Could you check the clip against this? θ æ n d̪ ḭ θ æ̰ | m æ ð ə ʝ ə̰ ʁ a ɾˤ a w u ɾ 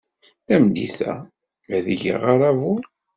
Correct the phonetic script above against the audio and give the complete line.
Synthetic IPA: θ æ m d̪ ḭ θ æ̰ | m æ ð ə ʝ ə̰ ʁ a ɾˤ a v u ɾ